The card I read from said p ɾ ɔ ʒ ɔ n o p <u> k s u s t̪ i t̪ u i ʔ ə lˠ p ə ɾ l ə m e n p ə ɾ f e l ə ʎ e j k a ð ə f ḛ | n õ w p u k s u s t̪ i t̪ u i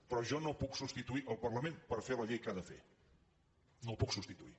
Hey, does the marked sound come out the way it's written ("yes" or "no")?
yes